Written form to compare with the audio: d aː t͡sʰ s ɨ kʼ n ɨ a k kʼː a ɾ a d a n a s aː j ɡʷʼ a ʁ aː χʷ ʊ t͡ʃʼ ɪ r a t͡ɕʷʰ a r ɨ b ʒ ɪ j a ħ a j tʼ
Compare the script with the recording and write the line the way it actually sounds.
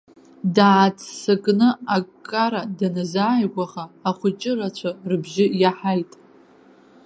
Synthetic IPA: d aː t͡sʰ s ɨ kʼ n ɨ a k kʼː a ɾ a d a n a z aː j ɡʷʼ a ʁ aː χʷ ʊ t͡ʃʼ ɪ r a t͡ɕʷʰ a r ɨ b ʒ ɪ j a ħ a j tʼ